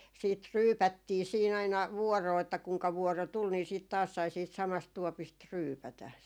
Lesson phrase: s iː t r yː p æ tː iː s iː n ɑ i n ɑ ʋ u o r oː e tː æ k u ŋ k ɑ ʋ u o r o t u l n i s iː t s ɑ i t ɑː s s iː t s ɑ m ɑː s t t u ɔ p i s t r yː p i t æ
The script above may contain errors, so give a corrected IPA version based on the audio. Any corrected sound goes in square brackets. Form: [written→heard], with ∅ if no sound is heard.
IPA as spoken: s iː t r yː p æ tː iː s iː n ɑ i n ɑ ʋ u [o→ɔ] r oː e tː æ k u ŋ k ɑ ʋ u [o→ɔ] r o t u l n i s iː t s ɑ i t ɑː s s iː t s ɑ m [ɑː→ɑ] s t t u ɔ p i s t r yː p [i→æ] t æ